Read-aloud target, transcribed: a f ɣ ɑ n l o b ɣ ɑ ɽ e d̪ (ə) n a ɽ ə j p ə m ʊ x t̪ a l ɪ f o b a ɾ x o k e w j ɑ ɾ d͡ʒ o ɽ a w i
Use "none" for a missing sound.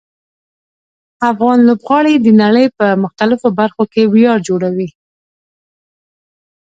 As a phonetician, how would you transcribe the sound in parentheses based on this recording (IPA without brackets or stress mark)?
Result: ə